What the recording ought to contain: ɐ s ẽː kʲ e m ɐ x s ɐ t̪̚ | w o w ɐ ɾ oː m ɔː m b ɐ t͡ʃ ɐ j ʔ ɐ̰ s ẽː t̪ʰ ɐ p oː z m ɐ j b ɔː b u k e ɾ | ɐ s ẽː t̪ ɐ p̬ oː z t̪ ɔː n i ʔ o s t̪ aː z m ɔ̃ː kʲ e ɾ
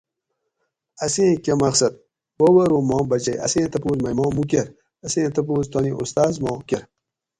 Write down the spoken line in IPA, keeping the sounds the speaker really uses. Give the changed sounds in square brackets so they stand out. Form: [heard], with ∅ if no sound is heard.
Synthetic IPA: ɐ s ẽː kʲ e m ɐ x s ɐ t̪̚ | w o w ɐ ɾ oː m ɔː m b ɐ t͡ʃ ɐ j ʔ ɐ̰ s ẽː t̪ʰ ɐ p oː z m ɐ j [m] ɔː [m] u k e ɾ | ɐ s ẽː t̪ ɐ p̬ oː z t̪ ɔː n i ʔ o s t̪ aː z m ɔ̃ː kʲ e ɾ